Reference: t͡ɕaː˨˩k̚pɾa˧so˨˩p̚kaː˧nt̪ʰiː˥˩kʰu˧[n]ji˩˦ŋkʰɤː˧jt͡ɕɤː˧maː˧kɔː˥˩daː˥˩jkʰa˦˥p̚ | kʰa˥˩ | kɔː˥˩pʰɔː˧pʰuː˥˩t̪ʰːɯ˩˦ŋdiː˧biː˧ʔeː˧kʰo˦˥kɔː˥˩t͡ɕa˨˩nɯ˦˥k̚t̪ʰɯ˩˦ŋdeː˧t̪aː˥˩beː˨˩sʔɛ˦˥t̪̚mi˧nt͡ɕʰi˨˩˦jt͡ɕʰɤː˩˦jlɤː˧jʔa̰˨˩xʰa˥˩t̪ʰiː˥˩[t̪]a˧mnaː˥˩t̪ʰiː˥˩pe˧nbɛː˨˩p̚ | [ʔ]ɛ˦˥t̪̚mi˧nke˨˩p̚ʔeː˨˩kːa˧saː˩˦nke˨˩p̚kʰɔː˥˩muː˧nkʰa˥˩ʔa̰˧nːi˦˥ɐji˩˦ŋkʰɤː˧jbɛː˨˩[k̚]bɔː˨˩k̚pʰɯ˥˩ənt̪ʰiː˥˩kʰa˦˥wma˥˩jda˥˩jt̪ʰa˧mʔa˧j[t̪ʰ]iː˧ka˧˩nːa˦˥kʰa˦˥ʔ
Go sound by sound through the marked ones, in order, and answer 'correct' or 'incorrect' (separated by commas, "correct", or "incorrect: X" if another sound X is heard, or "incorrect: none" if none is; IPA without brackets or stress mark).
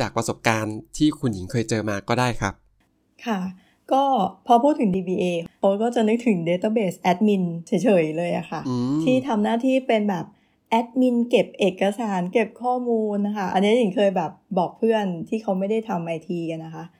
correct, incorrect: t̪ʰ, correct, incorrect: p̚, correct